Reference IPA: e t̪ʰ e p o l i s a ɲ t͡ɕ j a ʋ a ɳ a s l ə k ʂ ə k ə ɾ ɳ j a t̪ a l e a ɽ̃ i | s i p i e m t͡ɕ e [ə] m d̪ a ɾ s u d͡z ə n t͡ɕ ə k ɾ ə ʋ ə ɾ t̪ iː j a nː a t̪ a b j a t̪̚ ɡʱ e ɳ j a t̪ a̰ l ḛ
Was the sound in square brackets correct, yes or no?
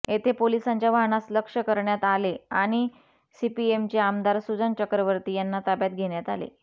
no